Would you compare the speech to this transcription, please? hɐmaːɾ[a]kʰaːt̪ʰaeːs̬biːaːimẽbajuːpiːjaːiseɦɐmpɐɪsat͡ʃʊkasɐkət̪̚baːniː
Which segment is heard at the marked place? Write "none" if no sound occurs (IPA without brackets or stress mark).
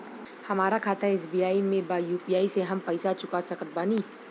a